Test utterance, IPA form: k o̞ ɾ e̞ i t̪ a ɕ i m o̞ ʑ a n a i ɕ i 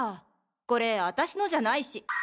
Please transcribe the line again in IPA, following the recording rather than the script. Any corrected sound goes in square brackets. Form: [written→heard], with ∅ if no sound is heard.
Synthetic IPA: k o̞ ɾ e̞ [i→a] t̪ a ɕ i [m→n] o̞ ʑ a n a i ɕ i

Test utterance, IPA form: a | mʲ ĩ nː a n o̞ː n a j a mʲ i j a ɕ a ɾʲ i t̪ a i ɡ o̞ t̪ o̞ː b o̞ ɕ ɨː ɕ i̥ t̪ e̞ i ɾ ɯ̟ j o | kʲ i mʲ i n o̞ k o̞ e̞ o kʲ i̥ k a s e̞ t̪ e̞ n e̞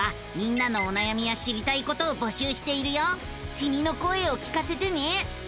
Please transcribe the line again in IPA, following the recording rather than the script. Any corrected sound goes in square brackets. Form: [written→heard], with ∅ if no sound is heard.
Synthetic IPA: a | mʲ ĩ nː a n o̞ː n a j a mʲ i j a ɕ [a→i] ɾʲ i t̪ a i [ɡ→k] o̞ t̪ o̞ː b o̞ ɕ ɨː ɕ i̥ t̪ e̞ i ɾ ɯ̟ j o | kʲ i mʲ i n o̞ k o̞ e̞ o kʲ i̥ k a s e̞ t̪ e̞ n e̞

